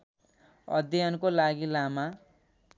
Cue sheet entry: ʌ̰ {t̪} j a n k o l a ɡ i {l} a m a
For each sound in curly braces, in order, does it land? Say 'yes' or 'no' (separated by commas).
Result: no, yes